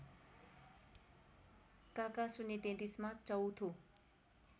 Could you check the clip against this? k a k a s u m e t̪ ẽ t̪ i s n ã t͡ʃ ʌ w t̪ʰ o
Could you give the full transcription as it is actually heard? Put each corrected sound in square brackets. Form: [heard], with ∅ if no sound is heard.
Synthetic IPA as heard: k a k a s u [n] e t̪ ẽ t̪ i s [m] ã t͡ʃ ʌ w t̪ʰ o

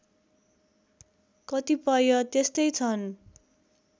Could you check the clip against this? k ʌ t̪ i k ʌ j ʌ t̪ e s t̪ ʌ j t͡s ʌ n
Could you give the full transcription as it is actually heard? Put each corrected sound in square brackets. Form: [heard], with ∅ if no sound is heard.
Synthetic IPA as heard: k ʌ t̪ i [p] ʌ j ʌ t̪ e s t̪ ʌ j [t͡sʰ] ʌ n

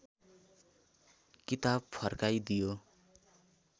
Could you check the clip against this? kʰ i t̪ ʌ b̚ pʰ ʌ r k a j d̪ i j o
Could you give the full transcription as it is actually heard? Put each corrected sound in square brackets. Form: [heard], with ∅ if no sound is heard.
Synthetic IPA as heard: [k] i t̪ [a] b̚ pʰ ʌ r k a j d̪ i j o

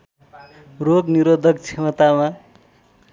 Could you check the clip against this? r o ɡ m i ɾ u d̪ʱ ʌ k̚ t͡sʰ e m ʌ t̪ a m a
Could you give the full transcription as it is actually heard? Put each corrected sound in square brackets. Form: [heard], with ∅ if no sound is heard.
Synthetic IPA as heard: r o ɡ [n] i ɾ [o] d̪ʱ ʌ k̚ t͡sʰ e m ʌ t̪ a m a

